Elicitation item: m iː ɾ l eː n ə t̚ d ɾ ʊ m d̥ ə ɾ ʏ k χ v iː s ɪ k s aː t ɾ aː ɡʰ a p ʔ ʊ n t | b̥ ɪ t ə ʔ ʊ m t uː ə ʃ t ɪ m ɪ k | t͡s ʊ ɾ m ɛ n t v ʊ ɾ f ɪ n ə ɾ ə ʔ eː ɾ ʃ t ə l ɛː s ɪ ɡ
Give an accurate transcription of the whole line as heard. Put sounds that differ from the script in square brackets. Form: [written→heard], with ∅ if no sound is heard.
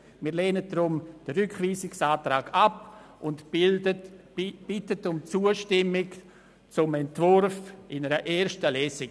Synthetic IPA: m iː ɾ l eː n ə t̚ d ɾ ʊ m d̥ ə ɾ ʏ k χ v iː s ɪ k s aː t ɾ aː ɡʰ a p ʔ ʊ n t | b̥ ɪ t ə [ʔ→t] ʊ m [t→t͡s] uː ə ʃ t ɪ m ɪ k | t͡s ʊ [ɾ→∅] m ɛ n t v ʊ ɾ f ɪ n ə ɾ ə ʔ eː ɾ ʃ t ə l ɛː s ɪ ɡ